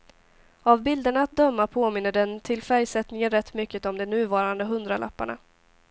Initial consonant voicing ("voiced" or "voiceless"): voiced